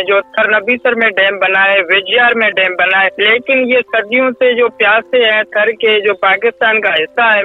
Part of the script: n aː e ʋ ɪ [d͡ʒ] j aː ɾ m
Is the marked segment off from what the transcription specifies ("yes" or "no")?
no